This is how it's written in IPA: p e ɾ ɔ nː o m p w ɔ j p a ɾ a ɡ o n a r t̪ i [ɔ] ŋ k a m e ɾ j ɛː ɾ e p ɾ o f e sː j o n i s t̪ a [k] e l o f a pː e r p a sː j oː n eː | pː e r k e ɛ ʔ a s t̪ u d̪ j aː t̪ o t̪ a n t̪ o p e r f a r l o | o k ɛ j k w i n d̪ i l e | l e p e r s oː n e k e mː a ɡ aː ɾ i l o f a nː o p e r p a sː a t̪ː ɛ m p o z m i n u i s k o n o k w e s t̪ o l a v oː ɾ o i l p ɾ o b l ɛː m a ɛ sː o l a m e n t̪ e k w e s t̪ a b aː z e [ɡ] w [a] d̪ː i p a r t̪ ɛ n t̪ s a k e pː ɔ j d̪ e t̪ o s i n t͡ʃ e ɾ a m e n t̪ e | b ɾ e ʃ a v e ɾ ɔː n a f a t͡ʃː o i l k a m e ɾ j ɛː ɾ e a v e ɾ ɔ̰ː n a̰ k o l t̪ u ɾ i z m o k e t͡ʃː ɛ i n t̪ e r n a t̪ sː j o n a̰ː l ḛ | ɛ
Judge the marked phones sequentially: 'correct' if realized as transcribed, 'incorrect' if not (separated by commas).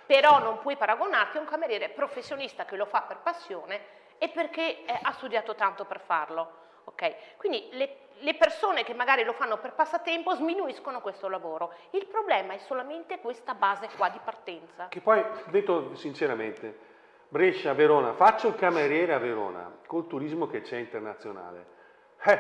incorrect, correct, incorrect, correct